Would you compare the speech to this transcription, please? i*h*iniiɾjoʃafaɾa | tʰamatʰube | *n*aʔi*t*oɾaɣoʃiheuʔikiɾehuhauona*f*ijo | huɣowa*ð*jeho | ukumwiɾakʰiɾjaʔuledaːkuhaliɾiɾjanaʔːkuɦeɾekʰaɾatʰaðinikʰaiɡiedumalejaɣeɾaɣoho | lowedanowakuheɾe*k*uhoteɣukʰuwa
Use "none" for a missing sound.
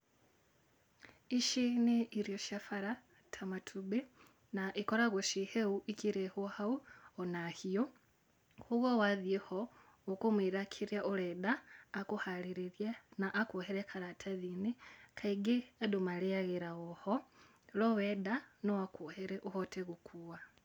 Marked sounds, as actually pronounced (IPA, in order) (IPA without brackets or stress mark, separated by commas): ʃ, n, k, h, ð, ʔ